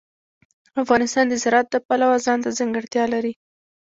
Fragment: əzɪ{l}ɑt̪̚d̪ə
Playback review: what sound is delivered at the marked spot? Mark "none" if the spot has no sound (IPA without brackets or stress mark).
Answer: ɾ